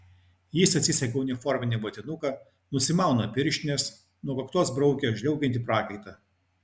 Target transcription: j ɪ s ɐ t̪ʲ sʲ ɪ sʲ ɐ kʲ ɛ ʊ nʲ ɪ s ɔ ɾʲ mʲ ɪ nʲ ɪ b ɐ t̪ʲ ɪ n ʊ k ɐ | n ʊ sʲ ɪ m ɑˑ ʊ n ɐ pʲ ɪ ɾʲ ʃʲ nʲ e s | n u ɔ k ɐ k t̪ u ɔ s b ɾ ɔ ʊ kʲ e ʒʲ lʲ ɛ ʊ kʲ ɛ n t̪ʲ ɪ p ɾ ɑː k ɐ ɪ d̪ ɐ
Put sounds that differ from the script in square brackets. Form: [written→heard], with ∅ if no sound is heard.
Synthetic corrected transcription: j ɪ s ɐ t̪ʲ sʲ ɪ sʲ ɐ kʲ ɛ ʊ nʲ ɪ [s→f] ɔ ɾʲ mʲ ɪ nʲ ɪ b ɐ t̪ʲ ɪ n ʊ k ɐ | n ʊ sʲ ɪ m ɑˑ ʊ n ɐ pʲ ɪ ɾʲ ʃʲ nʲ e s | n u ɔ k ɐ k t̪ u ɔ s b ɾ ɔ ʊ kʲ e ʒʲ lʲ ɛ ʊ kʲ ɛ n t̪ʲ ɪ p ɾ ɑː k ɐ ɪ [d̪→t̪] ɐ